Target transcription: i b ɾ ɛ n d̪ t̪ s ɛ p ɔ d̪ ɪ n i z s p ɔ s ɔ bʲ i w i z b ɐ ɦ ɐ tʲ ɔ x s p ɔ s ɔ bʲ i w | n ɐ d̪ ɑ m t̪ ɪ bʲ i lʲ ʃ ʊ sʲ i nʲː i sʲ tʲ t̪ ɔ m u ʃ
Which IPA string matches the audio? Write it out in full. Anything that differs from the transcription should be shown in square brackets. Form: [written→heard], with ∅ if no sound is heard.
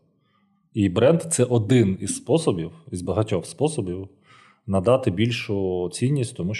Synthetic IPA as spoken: i b ɾ ɛ n d̪ t̪ s ɛ [p→ʔ] ɔ d̪ ɪ n i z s p ɔ s ɔ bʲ i w i z b ɐ ɦ ɐ tʲ ɔ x s p ɔ s ɔ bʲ i w | n ɐ d̪ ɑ [m→∅] t̪ ɪ bʲ i lʲ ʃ ʊ [sʲ→t͡sʲ] i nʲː i sʲ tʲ t̪ ɔ m u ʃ